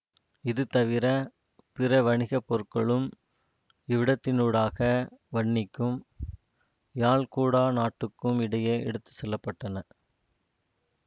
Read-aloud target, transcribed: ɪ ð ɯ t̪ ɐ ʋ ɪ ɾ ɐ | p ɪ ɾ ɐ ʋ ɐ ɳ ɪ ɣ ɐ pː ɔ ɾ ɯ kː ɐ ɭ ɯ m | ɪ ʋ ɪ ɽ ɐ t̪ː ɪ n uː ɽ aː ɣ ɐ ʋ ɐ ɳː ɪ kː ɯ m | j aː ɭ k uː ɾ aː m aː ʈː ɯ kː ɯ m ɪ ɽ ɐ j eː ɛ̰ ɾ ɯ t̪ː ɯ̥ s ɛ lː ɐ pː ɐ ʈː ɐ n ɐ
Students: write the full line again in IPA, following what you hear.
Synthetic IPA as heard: ɪ ð ɯ t̪ ɐ ʋ ɪ ɾ ɐ | p ɪ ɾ ɐ ʋ ɐ ɳ ɪ ɣ ɐ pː ɔ ɾ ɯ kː ɐ ɭ ɯ m | ɪ ʋ ɪ ɽ ɐ t̪ː ɪ n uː ɽ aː ɣ ɐ ʋ ɐ ɳː ɪ kː ɯ m | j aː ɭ k uː ɽ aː n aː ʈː ɯ kː ɯ m ɪ ɽ ɐ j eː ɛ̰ ɽ ɯ t̪ː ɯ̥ s ɛ lː ɐ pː ɐ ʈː ɐ n ɐ